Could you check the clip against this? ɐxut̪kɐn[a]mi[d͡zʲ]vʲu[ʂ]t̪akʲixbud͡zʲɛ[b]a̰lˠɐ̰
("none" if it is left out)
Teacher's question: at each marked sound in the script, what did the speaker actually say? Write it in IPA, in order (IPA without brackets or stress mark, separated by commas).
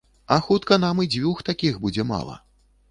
a, d͡zʲ, x, m